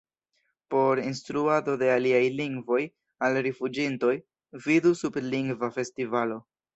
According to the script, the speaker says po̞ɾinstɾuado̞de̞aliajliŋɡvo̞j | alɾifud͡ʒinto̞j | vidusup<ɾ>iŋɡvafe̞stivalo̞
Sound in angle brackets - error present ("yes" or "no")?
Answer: yes